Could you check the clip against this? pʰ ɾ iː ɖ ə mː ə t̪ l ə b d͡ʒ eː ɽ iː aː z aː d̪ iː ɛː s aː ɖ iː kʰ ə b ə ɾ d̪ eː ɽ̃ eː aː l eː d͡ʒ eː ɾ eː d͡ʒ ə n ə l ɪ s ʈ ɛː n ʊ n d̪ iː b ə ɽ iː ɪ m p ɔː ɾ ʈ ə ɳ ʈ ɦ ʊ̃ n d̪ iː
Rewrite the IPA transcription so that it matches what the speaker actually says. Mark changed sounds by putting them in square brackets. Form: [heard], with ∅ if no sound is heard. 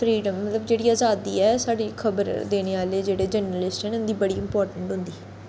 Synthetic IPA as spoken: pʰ ɾ iː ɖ ə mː ə t̪ l ə b d͡ʒ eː ɽ iː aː z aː d̪ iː ɛː s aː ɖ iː kʰ ə b ə ɾ d̪ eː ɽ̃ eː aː l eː d͡ʒ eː [ɽ] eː d͡ʒ ə n ə l ɪ s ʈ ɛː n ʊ n d̪ iː b ə ɽ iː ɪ m p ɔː ɾ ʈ ə ɳ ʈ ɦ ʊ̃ n d̪ iː